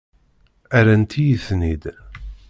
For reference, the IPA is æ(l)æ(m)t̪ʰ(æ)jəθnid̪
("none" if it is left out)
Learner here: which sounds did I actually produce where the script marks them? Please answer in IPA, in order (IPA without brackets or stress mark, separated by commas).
ɾ, n, i